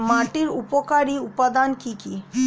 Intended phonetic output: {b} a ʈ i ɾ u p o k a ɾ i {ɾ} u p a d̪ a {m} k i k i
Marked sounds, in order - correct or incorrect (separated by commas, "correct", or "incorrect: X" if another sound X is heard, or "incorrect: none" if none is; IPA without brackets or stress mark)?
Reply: incorrect: m, incorrect: none, incorrect: n